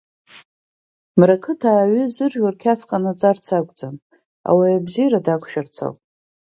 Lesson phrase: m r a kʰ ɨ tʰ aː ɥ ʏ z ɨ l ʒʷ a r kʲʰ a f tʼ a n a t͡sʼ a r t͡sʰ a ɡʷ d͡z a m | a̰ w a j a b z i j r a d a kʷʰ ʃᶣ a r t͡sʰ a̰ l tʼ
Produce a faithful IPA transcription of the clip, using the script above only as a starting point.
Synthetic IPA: m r a kʰ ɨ tʰ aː ɥ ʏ z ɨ r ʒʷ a r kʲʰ a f qʼ a n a t͡sʼ a r t͡sʰ a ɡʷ d͡z a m | a̰ w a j a b z i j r a d a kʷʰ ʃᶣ a r t͡sʰ a̰ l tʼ